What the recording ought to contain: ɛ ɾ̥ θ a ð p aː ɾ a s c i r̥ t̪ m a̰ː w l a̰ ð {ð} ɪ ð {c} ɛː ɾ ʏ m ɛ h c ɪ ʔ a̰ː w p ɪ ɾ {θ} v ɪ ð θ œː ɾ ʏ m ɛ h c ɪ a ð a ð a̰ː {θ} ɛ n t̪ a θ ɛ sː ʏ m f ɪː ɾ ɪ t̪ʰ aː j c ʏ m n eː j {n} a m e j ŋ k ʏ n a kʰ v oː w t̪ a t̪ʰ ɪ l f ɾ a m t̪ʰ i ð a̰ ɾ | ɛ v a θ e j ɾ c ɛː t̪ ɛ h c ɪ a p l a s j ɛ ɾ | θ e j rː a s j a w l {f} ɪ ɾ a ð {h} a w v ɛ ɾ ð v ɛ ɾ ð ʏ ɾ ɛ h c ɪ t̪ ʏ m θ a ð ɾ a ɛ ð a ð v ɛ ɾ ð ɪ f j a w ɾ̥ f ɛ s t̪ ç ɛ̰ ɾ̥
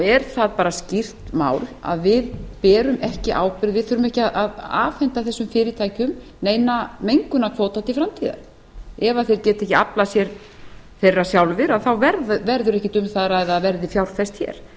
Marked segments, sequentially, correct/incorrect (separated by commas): incorrect, incorrect, incorrect, incorrect, correct, incorrect, incorrect